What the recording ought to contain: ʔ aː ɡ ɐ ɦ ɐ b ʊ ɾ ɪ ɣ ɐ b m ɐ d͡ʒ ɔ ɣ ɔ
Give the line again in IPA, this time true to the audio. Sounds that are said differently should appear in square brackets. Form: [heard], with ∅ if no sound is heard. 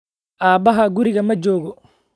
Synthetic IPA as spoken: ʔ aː [b] ɐ ɦ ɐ [ɡ] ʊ ɾ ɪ ɣ ɐ [∅] m ɐ d͡ʒ [ɔː] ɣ ɔ